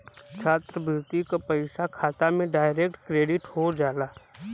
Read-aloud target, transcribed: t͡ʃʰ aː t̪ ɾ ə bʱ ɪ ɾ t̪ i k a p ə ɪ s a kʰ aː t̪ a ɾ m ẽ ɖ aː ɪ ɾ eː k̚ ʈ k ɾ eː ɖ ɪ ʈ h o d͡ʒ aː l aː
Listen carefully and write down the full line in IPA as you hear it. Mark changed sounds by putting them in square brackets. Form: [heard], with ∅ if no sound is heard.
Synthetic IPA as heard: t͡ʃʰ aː t̪ ɾ ə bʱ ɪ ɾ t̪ i k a p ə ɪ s a kʰ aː t̪ a [∅] m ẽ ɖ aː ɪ ɾ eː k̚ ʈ k ɾ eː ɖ ɪ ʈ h o d͡ʒ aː l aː